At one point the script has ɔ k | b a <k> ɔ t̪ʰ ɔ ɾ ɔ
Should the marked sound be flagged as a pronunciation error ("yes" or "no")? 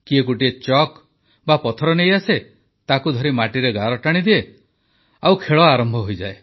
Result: yes